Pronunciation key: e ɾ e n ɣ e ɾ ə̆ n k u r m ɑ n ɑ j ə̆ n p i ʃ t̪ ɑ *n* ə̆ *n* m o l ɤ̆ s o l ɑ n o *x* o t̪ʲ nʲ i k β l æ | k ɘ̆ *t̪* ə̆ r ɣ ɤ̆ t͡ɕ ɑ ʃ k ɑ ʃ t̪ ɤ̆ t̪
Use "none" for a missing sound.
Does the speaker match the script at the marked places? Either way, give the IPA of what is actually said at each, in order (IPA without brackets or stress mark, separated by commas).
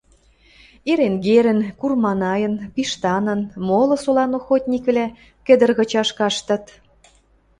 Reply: n, n, x, d̪